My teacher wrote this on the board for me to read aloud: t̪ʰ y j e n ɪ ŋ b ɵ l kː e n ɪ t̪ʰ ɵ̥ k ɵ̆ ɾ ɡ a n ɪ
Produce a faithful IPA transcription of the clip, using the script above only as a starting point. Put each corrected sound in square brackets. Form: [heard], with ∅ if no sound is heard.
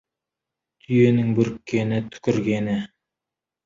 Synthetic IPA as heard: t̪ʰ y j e n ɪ ŋ b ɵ [ɾ] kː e n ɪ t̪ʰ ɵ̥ k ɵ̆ ɾ ɡ [e] n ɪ